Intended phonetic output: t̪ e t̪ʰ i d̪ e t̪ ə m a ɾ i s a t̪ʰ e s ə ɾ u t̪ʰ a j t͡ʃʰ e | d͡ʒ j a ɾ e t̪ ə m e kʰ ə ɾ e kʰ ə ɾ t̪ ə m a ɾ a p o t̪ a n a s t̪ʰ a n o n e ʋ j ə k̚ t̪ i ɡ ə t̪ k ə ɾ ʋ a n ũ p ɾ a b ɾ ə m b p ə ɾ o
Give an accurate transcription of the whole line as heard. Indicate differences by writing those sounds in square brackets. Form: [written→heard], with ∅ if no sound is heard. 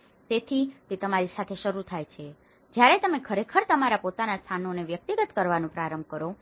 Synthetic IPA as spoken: t̪ e t̪ʰ i [d̪→t̪] e t̪ ə m a ɾ i s a t̪ʰ e [s→ʃ] ə ɾ u t̪ʰ a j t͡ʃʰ e | d͡ʒ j a ɾ e t̪ ə m e kʰ ə ɾ e kʰ ə ɾ t̪ ə m a ɾ a p o t̪ a n a s t̪ʰ a n o n e ʋ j ə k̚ t̪ i ɡ ə t̪ k ə ɾ ʋ a n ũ p ɾ a [b→∅] ɾ ə m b [p→k] ə ɾ o